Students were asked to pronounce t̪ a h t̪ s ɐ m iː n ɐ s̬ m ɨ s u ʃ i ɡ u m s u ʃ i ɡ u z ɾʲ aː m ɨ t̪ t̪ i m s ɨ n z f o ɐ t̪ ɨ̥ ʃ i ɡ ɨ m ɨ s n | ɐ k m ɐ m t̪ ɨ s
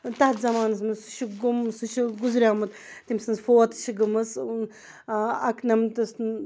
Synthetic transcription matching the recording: t̪ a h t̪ z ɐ m aː n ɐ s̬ m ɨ s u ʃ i ɡ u m s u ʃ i ɡ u z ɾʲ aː m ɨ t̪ t̪ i m s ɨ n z f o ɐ t̪ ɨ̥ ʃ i ɡ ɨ m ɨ s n | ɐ k n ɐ m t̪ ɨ s